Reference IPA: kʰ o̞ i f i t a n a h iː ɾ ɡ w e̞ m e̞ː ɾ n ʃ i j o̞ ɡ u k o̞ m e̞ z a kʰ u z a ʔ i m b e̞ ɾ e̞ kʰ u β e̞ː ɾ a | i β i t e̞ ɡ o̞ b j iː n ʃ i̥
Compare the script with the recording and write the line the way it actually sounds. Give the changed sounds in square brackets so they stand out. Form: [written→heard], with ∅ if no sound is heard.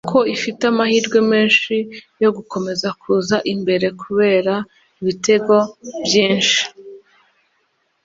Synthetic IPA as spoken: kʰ o̞ i f i t a [n→m] a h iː ɾ ɡ w e̞ m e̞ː [ɾ→∅] n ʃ i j o̞ ɡ u k o̞ m e̞ z a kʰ u z a ʔ i m b e̞ ɾ e̞ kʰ u β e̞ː ɾ a | i β i t e̞ ɡ o̞ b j iː n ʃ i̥